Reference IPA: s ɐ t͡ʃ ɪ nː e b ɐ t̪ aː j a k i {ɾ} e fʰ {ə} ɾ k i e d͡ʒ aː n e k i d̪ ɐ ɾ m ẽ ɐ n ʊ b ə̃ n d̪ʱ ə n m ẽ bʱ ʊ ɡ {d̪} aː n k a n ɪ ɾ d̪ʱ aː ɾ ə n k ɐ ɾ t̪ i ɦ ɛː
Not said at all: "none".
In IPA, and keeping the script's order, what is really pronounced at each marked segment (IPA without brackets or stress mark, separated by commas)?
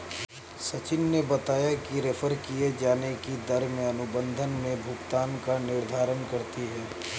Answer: ɾ, ə, t̪